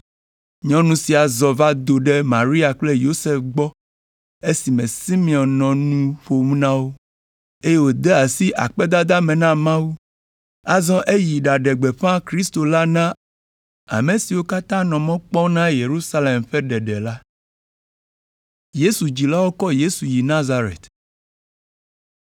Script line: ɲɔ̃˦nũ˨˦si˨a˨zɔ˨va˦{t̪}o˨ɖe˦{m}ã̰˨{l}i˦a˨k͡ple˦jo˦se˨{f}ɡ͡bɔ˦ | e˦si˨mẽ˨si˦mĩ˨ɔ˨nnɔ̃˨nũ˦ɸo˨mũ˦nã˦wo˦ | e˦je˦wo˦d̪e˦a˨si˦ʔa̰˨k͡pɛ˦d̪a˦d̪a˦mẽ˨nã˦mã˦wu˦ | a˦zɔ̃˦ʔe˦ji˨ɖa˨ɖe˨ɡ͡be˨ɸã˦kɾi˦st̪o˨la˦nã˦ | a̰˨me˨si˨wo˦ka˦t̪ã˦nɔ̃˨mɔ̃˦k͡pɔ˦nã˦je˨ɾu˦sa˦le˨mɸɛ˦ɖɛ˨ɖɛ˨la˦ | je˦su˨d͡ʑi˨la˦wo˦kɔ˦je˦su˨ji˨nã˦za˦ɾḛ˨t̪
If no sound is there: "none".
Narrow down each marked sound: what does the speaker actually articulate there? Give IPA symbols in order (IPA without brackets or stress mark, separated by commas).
d̪, m, ɾ, f